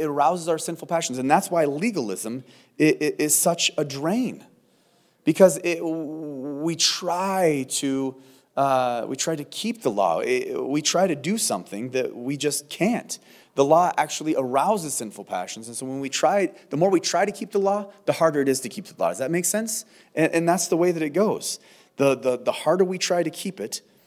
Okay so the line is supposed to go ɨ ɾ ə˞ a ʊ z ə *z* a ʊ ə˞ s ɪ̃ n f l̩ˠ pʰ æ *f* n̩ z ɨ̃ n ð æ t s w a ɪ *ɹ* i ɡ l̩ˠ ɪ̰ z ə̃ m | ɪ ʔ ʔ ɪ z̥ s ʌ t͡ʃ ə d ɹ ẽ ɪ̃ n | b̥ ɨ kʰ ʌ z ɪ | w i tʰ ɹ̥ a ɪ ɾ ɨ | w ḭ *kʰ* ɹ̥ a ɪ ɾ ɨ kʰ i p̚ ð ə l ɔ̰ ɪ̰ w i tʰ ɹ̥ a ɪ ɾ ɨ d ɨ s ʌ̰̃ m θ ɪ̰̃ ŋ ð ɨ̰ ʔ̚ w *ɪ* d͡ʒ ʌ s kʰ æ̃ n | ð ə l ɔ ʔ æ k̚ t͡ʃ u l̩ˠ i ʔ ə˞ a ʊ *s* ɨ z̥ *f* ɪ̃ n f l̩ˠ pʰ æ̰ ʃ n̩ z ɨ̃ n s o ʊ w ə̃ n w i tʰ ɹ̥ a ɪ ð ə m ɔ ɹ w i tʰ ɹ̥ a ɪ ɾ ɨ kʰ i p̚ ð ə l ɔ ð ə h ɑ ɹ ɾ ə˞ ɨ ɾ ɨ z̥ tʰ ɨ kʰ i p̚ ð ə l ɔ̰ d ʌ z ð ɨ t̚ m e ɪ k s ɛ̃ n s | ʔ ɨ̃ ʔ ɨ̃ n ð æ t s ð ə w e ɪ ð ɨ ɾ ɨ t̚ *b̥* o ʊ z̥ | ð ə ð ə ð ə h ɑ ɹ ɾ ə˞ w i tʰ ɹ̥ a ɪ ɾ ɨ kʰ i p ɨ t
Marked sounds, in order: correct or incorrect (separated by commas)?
correct, incorrect, incorrect, incorrect, incorrect, incorrect, incorrect, incorrect